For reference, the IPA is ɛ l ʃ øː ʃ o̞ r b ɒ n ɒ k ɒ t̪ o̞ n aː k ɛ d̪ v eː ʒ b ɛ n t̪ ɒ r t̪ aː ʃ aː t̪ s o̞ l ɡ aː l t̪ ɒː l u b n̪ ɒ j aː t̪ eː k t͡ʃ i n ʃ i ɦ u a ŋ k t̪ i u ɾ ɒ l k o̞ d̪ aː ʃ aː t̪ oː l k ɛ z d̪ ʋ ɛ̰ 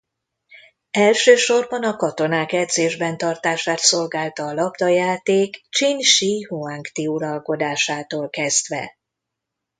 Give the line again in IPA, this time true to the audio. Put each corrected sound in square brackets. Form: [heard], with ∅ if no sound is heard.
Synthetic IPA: ɛ l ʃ øː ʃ o̞ r b ɒ n ɒ k ɒ t̪ o̞ n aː k ɛ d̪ [z] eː ʒ b ɛ n t̪ ɒ r t̪ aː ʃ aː t̪ s o̞ l ɡ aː l t̪ ɒː l [ɒ] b [d̪] ɒ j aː t̪ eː k t͡ʃ i n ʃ i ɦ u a ŋ k t̪ i u ɾ ɒ l k o̞ d̪ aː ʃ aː t̪ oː l k ɛ z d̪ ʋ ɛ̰

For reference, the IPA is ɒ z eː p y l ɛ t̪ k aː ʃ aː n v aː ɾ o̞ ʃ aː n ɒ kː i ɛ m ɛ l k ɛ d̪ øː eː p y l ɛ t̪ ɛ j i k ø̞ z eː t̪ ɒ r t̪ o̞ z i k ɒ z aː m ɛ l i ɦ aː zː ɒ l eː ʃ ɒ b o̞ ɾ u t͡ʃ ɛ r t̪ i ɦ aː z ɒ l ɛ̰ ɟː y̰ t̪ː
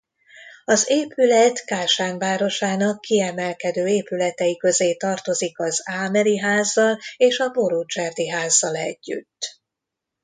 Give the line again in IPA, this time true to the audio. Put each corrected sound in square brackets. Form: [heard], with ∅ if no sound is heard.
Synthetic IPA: ɒ z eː p y l ɛ t̪ k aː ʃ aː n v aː ɾ o̞ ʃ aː n ɒ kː i ɛ m ɛ l k ɛ d̪ øː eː p y l ɛ t̪ ɛ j i k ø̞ z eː t̪ ɒ r t̪ o̞ z i k ɒ z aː m ɛ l i ɦ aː zː ɒ l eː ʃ ɒ b o̞ ɾ u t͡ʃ ɛ r [d̪] i ɦ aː [zː] ɒ l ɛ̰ ɟː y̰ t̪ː

